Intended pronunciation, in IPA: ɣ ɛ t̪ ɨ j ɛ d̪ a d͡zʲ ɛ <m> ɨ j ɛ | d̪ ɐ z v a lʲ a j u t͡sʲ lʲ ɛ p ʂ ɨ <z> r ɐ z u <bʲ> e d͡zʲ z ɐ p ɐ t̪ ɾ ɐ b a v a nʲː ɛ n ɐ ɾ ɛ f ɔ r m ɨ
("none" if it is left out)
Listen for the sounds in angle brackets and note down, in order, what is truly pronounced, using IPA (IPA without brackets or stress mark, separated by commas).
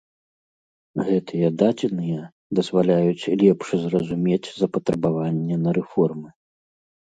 n, z, mʲ